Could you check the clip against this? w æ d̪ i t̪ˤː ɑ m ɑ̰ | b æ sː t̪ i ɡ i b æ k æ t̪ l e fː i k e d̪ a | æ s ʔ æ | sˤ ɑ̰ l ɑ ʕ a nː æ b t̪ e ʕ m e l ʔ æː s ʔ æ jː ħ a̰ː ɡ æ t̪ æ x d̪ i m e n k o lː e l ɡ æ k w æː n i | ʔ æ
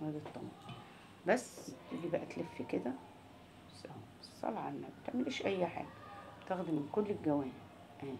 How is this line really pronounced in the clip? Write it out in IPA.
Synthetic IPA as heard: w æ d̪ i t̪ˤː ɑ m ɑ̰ | b æ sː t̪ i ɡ i b æ ʔ æ t̪ l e fː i k e d̪ æ | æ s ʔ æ | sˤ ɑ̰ l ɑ ʕ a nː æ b t̪ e ʕ m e l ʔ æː ʃ ʔ æ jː ħ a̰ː ɡ æ t̪ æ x d̪ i m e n k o lː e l ɡ æ w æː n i | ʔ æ